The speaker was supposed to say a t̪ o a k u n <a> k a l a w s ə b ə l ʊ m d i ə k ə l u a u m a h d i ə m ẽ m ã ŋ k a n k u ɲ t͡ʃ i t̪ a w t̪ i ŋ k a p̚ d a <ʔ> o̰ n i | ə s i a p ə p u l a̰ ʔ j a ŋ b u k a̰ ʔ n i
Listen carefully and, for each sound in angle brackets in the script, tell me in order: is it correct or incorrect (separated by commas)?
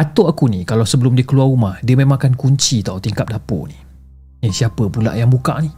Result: incorrect, incorrect